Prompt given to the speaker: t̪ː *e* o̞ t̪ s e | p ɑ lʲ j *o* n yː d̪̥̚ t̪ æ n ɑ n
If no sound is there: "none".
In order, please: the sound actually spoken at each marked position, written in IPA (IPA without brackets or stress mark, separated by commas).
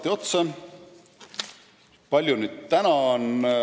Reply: i, u